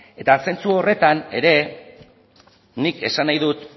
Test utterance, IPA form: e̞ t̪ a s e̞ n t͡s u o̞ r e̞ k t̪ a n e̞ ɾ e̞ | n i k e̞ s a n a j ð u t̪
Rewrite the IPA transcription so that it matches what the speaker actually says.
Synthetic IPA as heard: e̞ t̪ a s e̞ n t͡s u o̞ r e̞ t̪ a n e̞ ɾ e̞ | n i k e̞ s a n a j ð u t̪